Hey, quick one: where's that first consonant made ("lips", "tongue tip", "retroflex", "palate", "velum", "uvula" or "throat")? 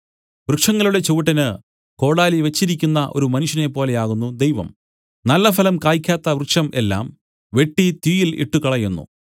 lips